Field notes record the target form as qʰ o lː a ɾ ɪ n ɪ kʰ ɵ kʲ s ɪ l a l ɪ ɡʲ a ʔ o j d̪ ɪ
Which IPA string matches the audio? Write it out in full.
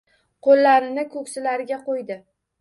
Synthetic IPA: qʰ o lː a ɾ ɪ n ɪ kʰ ɵ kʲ s ɪ l a ɾ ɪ ɡʲ a q o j d̪ ɪ

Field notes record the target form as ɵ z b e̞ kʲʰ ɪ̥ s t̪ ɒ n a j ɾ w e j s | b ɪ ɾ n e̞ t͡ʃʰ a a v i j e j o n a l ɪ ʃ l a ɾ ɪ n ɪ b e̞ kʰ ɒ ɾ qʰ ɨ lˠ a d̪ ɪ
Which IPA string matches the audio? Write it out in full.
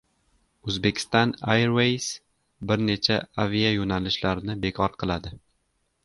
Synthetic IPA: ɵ z b e̞ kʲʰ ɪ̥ s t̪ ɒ n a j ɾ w e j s | b ɪ ɾ n e̞ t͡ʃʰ a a v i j a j o n a l ɪ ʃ l a ɾ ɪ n ɪ b e̞ kʰ ɒ ɾ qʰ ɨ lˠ a d̪ ɪ

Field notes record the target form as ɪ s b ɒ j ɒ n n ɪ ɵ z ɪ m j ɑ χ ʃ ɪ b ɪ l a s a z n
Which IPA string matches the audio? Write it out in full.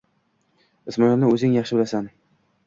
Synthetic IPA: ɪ s m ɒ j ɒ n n ɪ ɵ z ɪ ŋ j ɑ χ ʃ ɪ b ɪ l a s a n

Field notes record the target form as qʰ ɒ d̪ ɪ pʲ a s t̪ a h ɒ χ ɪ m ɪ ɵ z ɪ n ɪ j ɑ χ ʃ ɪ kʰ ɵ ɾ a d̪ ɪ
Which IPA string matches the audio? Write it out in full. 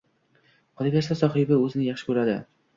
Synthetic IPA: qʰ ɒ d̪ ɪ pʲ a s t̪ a s ɒ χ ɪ b ɪ ɵ z ɪ n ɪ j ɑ χ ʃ ɪ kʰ ɵ ɾ a d̪ ɪ

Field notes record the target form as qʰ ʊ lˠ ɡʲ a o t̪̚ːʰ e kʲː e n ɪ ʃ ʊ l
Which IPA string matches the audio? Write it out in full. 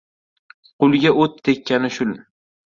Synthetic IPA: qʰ ʊ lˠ ɡʲ a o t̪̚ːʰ e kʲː a n ɪ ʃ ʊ l

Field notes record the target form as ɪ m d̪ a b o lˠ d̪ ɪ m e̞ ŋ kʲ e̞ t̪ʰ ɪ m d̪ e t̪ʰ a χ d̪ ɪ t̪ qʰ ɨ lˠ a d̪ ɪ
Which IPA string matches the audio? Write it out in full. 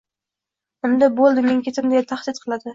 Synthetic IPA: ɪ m d̪ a b o lˠ d̪ ɪ m e̞ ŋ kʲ e̞ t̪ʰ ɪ m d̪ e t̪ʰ a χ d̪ ɪ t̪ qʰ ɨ lˠ a d̪ ɪ

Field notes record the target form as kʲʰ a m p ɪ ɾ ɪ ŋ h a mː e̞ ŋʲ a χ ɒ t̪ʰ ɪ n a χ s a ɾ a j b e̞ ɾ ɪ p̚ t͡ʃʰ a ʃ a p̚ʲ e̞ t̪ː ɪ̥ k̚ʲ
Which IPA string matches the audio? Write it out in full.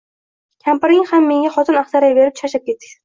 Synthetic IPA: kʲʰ a m p ɪ ɾ ɪ ŋ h a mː e̞ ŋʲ a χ ɒ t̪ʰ ɪ n a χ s a ɾ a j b e̞ ɾ ɪ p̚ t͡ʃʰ a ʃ a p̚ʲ e̞ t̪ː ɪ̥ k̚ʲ

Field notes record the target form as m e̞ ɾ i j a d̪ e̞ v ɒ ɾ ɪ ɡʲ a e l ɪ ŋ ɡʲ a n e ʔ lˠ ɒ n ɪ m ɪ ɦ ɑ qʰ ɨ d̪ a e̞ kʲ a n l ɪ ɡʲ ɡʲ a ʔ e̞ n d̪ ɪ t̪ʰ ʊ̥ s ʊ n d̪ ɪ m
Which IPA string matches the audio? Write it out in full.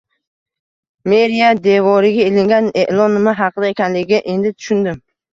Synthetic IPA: m e̞ ɾ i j a d̪ e̞ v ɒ ɾ ɪ ɡʲ a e l ɪ ŋ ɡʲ a n e ʔ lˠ ɒ n ɪ m ɪ ɦ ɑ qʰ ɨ d̪ a e̞ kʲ a n l ɪ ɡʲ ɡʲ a ʔ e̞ n d̪ ɪ t̪ʰ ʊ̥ ʃ ʊ n d̪ ɪ m

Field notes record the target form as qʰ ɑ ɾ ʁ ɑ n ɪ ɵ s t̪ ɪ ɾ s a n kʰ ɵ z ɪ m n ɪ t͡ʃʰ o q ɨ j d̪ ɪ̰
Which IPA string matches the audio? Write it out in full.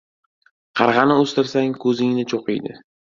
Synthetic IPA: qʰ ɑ ɾ ʁ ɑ n ɪ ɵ s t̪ ɪ ɾ s a ŋ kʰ ɵ z ɪ ŋ n ɪ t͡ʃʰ o q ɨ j d̪ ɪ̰

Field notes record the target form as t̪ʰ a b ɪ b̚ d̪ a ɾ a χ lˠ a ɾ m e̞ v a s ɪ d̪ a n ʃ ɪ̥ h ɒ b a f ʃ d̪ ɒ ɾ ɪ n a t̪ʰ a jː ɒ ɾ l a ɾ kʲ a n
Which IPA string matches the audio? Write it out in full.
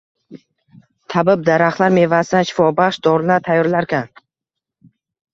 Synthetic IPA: t̪ʰ a b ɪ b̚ d̪ a ɾ a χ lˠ a ɾ m e̞ v a s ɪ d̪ a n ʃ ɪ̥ f ɒ b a χ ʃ d̪ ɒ ɾ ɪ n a t̪ʰ a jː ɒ ɾ l a ɾ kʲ a n

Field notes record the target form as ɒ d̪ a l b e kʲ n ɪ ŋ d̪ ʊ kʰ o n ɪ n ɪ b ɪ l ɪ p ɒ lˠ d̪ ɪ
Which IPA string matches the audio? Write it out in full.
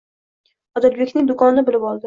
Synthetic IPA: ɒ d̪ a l b e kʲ n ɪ ŋ d̪ ʊ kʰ ɒ n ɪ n ɪ b ɪ l ɪ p ɒ lˠ d̪ ɪ

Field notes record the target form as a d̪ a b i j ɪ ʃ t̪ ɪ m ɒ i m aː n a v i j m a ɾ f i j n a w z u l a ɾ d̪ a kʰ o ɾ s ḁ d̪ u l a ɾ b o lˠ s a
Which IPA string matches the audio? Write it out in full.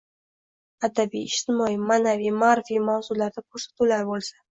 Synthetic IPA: a d̪ a b i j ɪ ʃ t̪ ɪ m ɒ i m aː n a v i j m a ɾ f i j m a w z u l a ɾ d̪ a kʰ o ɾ s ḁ t̪ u l a ɾ b o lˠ s a

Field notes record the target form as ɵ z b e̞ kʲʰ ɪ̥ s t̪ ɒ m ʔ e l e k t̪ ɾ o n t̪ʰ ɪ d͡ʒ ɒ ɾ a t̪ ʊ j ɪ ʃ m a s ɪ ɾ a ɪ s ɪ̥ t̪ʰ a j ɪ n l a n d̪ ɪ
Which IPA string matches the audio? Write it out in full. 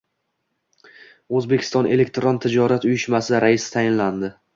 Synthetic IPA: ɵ z b e̞ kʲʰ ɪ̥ s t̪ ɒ n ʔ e l e k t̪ ɾ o n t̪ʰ ɪ d͡ʒ ɒ ɾ a t̪ ʊ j ɪ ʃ m a s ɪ ɾ a ɪ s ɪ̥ t̪ʰ a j ɪ n l a n d̪ ɪ

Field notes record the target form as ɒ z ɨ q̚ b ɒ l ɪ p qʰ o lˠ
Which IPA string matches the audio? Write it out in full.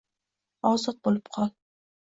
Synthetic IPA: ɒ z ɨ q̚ b o l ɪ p qʰ ɒ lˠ

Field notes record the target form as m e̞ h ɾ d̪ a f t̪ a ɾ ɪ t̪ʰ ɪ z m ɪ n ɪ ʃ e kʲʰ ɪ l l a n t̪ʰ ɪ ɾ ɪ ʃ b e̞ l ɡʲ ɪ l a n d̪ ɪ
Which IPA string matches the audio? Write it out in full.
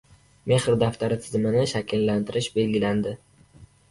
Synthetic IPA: m e̞ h ɾ d̪ a f t̪ a ɾ ɪ t̪ʰ ɪ z m ɪ n ɪ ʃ a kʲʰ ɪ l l a n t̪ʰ ɪ ɾ ɪ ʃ b e̞ l ɡʲ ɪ l a n d̪ ɪ

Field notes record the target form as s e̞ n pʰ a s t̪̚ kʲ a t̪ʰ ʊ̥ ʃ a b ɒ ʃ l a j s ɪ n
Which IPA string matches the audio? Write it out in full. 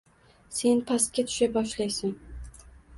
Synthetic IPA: s e̞ n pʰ a s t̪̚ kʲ a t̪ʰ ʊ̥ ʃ a b ɒ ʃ l a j s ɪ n

